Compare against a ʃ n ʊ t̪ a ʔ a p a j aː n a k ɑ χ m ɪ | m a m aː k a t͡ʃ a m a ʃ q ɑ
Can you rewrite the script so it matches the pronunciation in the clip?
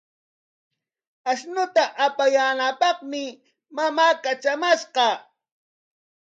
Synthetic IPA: a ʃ n ʊ t̪ a ʔ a p a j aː n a p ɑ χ m ɪ | m a m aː k a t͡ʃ a m a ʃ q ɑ